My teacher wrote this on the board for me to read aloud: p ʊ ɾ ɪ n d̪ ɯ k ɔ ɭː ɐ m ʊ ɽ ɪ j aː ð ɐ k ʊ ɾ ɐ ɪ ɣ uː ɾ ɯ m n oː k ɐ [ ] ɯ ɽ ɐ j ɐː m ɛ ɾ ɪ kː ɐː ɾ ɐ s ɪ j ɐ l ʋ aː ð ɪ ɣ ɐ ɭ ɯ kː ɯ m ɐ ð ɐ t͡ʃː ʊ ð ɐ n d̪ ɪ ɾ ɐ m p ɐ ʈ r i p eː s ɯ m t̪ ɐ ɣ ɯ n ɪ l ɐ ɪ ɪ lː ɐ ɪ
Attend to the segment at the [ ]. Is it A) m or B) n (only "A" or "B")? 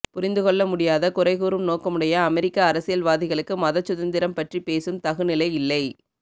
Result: A